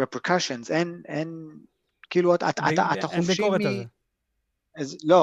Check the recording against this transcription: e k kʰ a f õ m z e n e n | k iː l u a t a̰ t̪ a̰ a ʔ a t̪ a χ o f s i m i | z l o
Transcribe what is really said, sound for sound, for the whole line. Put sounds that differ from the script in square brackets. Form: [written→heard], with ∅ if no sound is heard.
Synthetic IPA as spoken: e [k→p] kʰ a [f→ʃ] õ [m→n] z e n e n | k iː l u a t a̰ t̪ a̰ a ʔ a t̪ a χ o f [s→ʃ] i m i | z l o